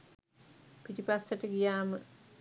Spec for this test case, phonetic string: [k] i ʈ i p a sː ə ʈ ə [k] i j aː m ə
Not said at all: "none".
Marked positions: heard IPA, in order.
p, ɡ

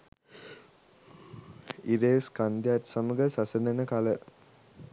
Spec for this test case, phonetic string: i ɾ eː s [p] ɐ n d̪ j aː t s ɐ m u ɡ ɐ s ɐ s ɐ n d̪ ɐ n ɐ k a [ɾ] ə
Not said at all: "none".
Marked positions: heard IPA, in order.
k, l

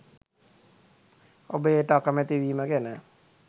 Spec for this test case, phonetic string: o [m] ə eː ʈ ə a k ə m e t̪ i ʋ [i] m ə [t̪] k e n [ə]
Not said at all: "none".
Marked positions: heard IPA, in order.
b, iː, none, ə

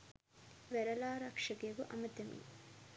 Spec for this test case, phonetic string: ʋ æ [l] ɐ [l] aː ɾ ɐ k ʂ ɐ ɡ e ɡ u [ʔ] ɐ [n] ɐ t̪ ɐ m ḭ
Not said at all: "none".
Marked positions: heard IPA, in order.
ɾ, l, ʔ, m

